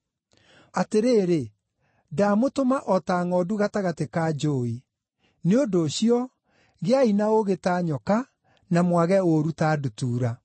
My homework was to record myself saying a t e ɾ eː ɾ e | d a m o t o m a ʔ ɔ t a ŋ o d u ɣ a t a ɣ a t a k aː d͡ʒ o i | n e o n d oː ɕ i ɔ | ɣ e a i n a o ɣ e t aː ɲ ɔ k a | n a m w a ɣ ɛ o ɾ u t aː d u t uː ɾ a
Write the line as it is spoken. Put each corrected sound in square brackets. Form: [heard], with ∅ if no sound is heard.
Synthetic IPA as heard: a t e ɾ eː ɾ e | d a m o t o m a ʔ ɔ t a ŋ [ɔ] d u ɣ a t a ɣ a t [e] k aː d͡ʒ o i | n e o n d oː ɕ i ɔ | ɣ e a i n a o ɣ e t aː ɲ ɔ k a | n a m w a ɣ ɛ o ɾ u t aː d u t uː ɾ a